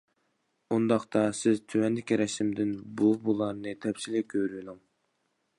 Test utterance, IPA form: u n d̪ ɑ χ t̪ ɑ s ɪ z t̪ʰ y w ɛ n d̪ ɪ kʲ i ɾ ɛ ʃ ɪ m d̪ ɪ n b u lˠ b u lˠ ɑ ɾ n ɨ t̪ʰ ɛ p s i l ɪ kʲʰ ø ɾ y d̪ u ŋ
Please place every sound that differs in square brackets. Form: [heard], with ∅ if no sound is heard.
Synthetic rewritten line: u n d̪ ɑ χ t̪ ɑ s ɪ z t̪ʰ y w ɛ n d̪ ɪ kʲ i ɾ ɛ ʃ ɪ m d̪ ɪ n b u [∅] b u lˠ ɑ ɾ n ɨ t̪ʰ ɛ p s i l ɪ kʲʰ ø ɾ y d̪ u ŋ